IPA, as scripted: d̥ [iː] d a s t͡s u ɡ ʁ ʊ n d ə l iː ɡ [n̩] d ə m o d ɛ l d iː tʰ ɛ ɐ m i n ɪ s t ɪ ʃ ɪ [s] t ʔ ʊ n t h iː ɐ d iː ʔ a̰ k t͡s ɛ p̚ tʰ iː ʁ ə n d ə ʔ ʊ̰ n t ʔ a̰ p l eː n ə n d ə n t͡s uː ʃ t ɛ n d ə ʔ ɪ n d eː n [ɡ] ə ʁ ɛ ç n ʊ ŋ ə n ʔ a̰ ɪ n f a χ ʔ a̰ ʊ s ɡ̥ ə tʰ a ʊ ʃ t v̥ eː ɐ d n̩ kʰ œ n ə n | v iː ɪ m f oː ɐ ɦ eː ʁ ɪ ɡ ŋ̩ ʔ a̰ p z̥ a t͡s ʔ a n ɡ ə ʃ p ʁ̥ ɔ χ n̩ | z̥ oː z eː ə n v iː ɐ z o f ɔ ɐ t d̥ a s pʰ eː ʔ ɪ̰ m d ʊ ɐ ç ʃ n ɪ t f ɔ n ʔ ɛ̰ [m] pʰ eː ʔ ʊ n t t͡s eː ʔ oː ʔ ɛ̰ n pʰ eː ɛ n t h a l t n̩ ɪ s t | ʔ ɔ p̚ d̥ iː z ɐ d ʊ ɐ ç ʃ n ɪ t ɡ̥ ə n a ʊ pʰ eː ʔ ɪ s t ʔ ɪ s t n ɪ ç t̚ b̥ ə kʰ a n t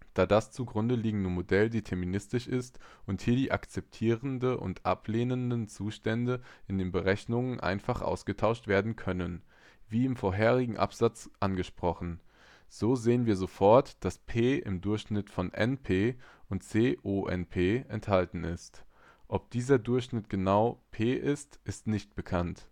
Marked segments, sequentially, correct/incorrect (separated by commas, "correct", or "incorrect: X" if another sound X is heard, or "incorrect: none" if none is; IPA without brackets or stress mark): incorrect: aː, incorrect: ŋ̩, correct, incorrect: b, incorrect: n